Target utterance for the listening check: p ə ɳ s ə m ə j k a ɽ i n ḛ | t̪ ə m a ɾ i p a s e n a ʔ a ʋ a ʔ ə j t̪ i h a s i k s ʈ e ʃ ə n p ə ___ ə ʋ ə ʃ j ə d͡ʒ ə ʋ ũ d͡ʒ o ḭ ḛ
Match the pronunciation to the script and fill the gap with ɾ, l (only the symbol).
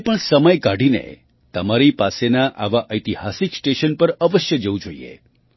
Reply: ɾ